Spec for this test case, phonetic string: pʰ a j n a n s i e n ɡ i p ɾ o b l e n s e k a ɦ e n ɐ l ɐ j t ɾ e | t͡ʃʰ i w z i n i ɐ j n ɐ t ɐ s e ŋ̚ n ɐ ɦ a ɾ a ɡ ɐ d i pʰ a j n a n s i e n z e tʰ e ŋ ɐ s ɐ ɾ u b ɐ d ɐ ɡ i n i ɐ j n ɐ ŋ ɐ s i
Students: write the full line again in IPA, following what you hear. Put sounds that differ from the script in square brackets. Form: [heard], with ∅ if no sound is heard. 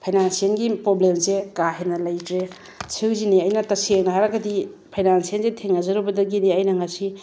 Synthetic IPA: pʰ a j n a n s i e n ɡ i p ɾ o b l e [m] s e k a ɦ e n ɐ l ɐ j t ɾ e | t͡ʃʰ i w z i n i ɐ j n ɐ t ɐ s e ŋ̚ n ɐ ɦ a ɾ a ɡ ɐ d i pʰ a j n a n s i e n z e tʰ e ŋ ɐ [z] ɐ ɾ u b ɐ d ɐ ɡ i n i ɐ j n ɐ ŋ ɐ s i